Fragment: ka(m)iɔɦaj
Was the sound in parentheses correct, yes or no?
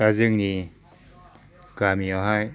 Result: yes